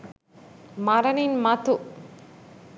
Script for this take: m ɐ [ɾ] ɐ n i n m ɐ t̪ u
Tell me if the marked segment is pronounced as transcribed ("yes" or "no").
yes